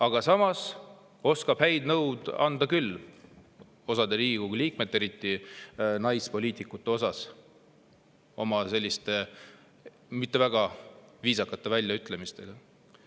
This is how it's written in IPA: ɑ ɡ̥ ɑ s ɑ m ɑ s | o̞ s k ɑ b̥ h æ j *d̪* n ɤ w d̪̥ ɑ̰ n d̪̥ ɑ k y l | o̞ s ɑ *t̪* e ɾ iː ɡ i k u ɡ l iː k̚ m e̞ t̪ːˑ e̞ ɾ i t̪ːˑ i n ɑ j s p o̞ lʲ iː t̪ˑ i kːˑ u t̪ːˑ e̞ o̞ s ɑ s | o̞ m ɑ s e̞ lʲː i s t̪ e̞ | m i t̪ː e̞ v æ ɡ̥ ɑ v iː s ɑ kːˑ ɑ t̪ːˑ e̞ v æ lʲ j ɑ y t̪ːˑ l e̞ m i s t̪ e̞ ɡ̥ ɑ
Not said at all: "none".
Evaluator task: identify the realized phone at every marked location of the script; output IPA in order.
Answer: d̪, d̪

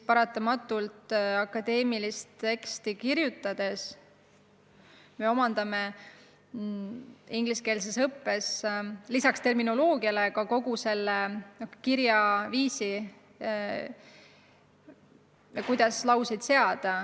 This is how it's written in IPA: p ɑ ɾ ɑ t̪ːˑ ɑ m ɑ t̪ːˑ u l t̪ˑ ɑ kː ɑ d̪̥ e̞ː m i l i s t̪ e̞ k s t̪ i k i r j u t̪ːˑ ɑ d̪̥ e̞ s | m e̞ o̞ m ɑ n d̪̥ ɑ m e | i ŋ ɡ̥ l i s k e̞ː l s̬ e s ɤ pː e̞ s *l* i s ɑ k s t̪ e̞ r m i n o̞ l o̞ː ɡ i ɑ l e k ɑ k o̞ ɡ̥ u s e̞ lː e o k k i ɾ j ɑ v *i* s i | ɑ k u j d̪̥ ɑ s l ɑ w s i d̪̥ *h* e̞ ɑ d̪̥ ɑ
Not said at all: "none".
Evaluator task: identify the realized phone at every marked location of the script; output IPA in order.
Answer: l, iː, s

